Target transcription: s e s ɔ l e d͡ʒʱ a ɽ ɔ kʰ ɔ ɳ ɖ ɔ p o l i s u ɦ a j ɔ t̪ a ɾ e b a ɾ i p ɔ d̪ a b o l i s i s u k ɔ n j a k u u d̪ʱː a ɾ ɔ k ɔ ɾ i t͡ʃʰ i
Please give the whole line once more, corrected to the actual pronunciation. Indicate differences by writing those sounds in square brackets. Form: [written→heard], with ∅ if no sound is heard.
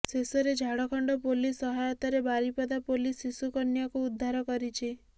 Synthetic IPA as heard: s e s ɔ [l→ɾ] e d͡ʒʱ a ɽ ɔ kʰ ɔ ɳ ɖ ɔ p o l i s [u→ɔ] ɦ a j ɔ t̪ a ɾ e b a ɾ i p ɔ d̪ a [b→p] o l i s i s u k ɔ n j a k u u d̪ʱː a ɾ ɔ k ɔ ɾ i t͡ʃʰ i

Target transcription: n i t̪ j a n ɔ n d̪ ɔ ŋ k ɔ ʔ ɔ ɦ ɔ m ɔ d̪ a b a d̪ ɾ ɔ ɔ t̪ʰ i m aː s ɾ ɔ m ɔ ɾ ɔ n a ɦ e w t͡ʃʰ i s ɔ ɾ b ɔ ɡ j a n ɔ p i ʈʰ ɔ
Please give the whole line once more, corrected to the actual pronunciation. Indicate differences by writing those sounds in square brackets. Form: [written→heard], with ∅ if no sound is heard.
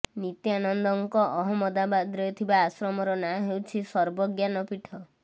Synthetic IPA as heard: n i t̪ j a n ɔ n d̪ ɔ ŋ k ɔ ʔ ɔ ɦ ɔ m ɔ d̪ a b a d̪ ɾ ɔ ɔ t̪ʰ i [m→b] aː s ɾ ɔ m ɔ ɾ ɔ n a ɦ e w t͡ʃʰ i s ɔ ɾ b ɔ ɡ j a n ɔ p i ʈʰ ɔ

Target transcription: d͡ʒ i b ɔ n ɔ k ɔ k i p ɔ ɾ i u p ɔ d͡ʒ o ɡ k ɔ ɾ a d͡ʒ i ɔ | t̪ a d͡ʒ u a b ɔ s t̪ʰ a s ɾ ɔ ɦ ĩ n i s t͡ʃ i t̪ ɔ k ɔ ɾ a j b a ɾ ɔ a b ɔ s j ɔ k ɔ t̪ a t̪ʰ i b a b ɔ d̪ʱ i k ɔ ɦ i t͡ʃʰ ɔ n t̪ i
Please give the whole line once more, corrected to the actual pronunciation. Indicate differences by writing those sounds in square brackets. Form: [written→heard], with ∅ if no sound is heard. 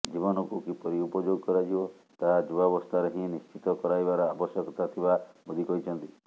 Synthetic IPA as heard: d͡ʒ i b ɔ n ɔ k [ɔ→u] k i p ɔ ɾ i u p ɔ d͡ʒ o ɡ k ɔ ɾ a d͡ʒ i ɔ | t̪ a d͡ʒ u a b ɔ s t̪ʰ a [s→∅] ɾ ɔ ɦ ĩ n i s t͡ʃ i t̪ ɔ k ɔ ɾ a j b a ɾ ɔ a b ɔ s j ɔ k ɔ t̪ a t̪ʰ i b a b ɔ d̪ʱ i k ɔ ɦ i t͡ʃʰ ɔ n t̪ i

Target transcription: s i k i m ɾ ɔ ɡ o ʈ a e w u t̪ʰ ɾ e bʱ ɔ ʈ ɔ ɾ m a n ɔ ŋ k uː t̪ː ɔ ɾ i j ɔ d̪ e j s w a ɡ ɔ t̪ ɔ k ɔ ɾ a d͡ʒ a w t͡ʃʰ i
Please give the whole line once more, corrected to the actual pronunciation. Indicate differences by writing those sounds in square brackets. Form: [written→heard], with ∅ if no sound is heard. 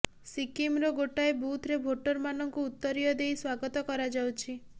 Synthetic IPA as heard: s i k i m ɾ ɔ ɡ o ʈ a e [w→b] u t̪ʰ ɾ e bʱ [ɔ→o] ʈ ɔ ɾ m a n ɔ ŋ k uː t̪ː ɔ ɾ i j ɔ d̪ e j s w a ɡ ɔ t̪ ɔ k ɔ ɾ a d͡ʒ a w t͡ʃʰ i

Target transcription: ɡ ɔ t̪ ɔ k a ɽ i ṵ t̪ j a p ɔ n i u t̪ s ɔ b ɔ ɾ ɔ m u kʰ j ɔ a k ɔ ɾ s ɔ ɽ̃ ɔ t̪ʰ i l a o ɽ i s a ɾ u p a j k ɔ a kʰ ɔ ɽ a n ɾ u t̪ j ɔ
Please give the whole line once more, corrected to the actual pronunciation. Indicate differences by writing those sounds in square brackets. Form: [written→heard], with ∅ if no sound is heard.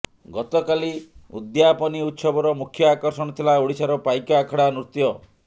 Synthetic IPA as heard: ɡ ɔ t̪ ɔ k a [ɽ→l] i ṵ [t̪→d̪] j a p ɔ n i u t̪ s ɔ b ɔ ɾ ɔ m u kʰ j ɔ a k ɔ ɾ s ɔ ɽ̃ ɔ t̪ʰ i l a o ɽ i s a ɾ [u→ɔ] p a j k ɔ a kʰ ɔ ɽ a n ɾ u t̪ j ɔ

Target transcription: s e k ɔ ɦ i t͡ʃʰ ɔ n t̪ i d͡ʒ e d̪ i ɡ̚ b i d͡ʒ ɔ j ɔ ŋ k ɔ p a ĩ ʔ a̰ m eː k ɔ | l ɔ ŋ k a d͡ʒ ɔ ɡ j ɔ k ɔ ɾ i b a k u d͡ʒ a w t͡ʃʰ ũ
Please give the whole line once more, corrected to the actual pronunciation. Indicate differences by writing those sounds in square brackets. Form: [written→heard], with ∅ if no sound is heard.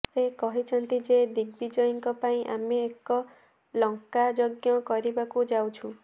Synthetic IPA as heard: s e k ɔ ɦ i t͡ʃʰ ɔ n t̪ i d͡ʒ e d̪ i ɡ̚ b i d͡ʒ ɔ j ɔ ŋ k ɔ p a ĩ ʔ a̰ m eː k ɔ | l ɔ ŋ k a d͡ʒ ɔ ɡ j ɔ k ɔ ɾ i b a k u d͡ʒ a w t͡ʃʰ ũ

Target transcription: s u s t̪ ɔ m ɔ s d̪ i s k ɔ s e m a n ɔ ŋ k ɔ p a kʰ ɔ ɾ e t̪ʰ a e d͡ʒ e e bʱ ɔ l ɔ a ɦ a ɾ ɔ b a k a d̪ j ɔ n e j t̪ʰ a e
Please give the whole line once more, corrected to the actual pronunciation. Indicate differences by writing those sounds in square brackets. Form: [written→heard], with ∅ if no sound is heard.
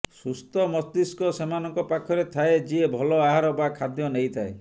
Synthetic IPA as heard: s u s t̪ ɔ m ɔ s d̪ i s k ɔ s e m a n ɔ ŋ k ɔ p a kʰ ɔ ɾ e t̪ʰ a e d͡ʒ [e→i] e bʱ ɔ l ɔ a ɦ a ɾ ɔ b a [k→kʰ] a d̪ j ɔ n e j t̪ʰ a e

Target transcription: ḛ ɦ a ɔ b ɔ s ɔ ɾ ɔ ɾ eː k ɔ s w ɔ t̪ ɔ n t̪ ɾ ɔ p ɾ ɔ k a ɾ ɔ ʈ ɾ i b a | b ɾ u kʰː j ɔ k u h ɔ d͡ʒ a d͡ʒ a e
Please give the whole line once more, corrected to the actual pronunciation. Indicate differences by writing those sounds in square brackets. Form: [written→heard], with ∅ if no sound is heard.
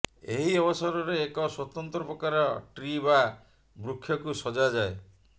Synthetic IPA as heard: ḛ ɦ [a→i] ɔ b ɔ s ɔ ɾ ɔ ɾ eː k ɔ s w ɔ t̪ ɔ n t̪ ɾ ɔ p ɾ ɔ k a ɾ ɔ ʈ ɾ i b a | b ɾ u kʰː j ɔ k u [h→s] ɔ d͡ʒ a d͡ʒ a e

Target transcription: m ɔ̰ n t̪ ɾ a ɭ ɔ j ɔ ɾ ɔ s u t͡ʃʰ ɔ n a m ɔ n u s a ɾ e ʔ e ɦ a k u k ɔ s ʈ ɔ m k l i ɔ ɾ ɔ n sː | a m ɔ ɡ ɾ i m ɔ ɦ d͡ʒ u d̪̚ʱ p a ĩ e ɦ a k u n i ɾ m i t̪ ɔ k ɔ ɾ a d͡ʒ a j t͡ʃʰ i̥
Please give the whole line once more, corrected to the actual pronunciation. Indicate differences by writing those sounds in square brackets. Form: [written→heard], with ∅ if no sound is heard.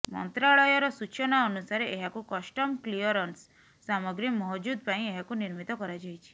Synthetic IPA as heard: m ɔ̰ n t̪ ɾ a ɭ ɔ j ɔ ɾ ɔ s u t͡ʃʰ ɔ n a [m→∅] ɔ n u s a ɾ e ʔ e ɦ a k u k ɔ s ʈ ɔ m k l i ɔ ɾ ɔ n sː | a m ɔ ɡ ɾ i m ɔ ɦ d͡ʒ u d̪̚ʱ p a ĩ e ɦ a k u n i ɾ m i t̪ ɔ k ɔ ɾ a d͡ʒ a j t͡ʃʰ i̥

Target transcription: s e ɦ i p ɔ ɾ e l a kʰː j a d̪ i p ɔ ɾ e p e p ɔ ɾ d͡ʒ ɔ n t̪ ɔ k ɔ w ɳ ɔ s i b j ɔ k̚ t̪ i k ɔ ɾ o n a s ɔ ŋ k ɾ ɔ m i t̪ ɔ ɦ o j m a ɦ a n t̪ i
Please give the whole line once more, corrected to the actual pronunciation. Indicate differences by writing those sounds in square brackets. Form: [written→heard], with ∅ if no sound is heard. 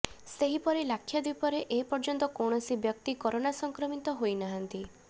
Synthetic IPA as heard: s e ɦ i p ɔ ɾ e l a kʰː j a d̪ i p ɔ ɾ e [p→ʔ] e p ɔ ɾ d͡ʒ ɔ n t̪ ɔ k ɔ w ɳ ɔ s i b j ɔ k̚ t̪ i k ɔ ɾ o n a s ɔ ŋ k ɾ ɔ m i t̪ ɔ ɦ o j [m→n] a ɦ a n t̪ i

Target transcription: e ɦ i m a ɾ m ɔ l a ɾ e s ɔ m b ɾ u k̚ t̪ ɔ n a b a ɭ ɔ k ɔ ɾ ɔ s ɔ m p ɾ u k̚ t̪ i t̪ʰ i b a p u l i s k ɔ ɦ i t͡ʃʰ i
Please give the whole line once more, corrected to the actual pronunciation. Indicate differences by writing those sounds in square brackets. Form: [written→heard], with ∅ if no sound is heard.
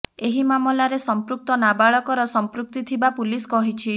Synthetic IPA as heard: e ɦ i m a [ɾ→∅] m ɔ l a ɾ e s ɔ m [b→p] ɾ u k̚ t̪ ɔ n a b a ɭ ɔ k ɔ ɾ ɔ s ɔ m p ɾ u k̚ t̪ i t̪ʰ i b a p u l i s k ɔ ɦ i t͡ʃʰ i

